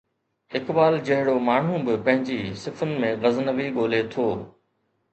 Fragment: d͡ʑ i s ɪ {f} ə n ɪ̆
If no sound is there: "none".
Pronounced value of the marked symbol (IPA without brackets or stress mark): f